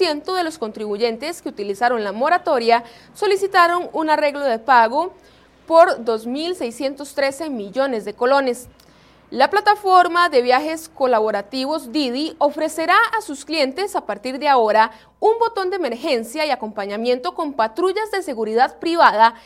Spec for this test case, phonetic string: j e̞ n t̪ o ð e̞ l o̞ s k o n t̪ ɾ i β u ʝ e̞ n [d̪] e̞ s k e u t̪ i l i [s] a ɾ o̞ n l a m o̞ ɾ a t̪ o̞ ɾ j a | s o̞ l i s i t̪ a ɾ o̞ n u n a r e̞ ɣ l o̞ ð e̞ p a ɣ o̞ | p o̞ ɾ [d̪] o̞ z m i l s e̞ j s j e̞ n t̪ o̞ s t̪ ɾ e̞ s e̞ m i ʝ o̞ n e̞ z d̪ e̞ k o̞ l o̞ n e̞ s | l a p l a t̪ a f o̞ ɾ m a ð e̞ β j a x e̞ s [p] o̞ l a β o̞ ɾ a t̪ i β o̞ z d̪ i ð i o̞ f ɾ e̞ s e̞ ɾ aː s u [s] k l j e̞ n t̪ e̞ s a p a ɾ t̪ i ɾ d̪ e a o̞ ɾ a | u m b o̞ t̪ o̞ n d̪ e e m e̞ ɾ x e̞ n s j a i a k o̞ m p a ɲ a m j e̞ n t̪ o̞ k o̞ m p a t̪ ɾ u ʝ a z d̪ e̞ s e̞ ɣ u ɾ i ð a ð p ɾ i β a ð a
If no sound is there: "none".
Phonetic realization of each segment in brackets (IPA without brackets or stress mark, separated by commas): t̪, s, d̪, k, s